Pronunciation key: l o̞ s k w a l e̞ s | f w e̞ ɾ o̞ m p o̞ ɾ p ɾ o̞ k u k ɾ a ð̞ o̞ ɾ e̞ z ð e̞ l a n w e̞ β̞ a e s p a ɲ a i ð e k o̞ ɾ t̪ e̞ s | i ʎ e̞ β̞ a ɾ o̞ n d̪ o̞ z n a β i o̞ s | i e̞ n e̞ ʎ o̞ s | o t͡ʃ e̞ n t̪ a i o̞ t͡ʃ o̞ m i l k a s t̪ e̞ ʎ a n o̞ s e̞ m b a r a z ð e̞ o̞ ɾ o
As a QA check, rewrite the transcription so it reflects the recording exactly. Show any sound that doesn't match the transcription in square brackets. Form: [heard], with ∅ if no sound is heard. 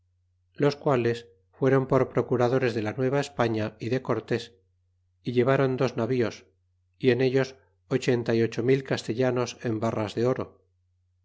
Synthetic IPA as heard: l o̞ s k w a l e̞ s | f w e̞ ɾ o̞ m p o̞ ɾ p ɾ o̞ k u [∅] ɾ a ð̞ o̞ ɾ e̞ z ð e̞ l a n w e̞ β̞ a e s p a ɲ a i ð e k o̞ ɾ t̪ e̞ s | i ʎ e̞ β̞ a ɾ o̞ n d̪ o̞ z n a β i o̞ s | i e̞ n e̞ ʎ o̞ s | o t͡ʃ e̞ n t̪ a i o̞ t͡ʃ o̞ m i l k a s t̪ e̞ ʎ a n o̞ s e̞ m b a r a z ð e̞ o̞ ɾ o